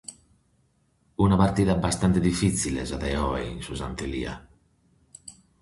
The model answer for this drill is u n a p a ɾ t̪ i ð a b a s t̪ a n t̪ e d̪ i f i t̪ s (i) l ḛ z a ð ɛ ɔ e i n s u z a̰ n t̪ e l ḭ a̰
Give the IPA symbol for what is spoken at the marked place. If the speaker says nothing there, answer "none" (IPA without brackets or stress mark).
i